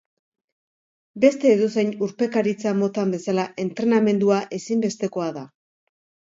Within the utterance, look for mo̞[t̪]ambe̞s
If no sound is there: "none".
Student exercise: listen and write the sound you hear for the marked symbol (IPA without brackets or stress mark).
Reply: t̪